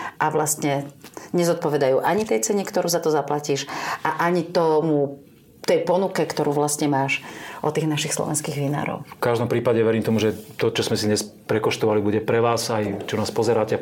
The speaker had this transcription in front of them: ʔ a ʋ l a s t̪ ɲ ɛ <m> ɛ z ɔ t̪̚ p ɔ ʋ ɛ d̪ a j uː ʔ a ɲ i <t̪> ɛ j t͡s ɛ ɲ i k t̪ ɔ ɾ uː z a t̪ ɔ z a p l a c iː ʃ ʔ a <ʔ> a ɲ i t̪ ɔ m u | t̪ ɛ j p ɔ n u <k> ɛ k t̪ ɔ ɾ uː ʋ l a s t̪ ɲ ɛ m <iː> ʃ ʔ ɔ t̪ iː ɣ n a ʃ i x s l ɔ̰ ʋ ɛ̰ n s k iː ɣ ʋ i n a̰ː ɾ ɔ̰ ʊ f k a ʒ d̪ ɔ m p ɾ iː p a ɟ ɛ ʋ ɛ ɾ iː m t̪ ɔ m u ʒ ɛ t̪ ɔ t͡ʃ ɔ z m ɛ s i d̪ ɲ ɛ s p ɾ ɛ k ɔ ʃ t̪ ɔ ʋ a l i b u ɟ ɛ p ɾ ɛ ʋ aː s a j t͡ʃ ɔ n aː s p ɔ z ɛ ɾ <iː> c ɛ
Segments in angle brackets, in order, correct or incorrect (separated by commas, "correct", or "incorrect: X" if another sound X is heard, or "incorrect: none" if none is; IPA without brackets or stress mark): incorrect: ɲ, correct, correct, correct, incorrect: aː, incorrect: aː